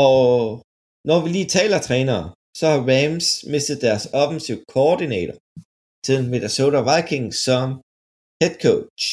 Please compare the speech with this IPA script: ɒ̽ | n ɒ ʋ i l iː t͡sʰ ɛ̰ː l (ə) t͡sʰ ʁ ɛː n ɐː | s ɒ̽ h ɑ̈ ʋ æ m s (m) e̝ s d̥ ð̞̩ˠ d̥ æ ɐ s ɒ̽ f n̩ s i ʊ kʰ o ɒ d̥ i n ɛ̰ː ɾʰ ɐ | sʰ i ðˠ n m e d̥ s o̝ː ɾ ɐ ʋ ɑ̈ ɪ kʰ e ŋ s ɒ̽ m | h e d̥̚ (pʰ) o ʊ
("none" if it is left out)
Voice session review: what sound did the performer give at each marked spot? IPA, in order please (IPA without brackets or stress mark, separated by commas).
ɐ, m, kʰ